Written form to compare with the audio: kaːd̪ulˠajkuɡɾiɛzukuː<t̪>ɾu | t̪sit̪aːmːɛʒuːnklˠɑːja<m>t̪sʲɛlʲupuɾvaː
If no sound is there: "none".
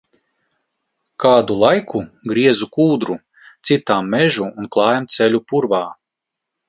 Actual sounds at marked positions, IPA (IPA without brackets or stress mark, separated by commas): d̪, m